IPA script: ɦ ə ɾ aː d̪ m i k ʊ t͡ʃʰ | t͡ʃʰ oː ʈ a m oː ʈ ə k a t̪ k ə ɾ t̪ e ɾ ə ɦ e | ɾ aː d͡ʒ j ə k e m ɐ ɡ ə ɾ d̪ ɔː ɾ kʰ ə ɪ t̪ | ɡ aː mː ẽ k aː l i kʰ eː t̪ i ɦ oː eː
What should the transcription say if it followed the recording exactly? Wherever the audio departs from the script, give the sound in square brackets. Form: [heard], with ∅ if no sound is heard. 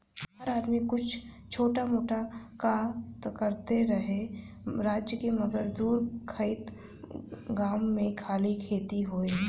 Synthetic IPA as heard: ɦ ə ɾ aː d̪ m i k ʊ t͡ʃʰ | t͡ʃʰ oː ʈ a m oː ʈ [a] k a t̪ k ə ɾ t̪ e ɾ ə ɦ e | ɾ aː d͡ʒ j ə k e m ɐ ɡ ə ɾ d̪ [uː] ɾ kʰ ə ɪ t̪ | ɡ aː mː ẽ [kʰ] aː l i kʰ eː t̪ i ɦ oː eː